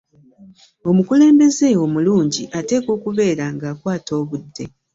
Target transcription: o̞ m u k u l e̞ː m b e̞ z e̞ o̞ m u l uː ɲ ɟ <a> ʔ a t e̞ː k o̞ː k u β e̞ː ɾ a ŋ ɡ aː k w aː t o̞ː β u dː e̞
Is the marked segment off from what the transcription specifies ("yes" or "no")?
yes